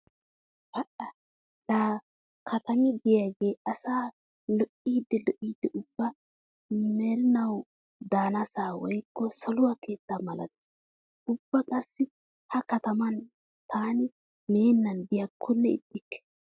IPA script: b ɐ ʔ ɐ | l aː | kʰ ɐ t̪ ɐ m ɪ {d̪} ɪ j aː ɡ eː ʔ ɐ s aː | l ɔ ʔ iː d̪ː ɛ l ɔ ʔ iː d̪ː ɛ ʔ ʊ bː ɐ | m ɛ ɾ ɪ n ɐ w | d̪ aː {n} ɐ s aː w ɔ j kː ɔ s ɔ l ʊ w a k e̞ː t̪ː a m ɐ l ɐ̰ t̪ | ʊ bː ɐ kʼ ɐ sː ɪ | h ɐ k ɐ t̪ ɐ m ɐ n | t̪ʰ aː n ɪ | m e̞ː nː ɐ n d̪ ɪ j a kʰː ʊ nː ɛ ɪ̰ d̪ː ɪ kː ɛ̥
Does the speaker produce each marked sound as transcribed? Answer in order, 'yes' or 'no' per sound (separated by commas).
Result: yes, yes